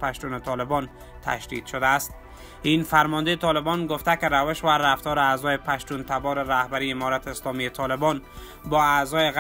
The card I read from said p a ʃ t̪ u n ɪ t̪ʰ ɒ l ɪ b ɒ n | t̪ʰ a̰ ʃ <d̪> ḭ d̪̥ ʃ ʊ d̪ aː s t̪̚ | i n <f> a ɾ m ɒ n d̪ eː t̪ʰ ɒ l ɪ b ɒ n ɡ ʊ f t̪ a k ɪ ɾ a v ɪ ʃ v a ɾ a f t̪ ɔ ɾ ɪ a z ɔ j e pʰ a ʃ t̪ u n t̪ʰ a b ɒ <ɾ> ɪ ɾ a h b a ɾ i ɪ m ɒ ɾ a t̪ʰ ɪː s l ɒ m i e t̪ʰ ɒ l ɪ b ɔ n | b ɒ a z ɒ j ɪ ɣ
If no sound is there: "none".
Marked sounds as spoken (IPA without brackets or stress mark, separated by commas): d̪, f, ɾ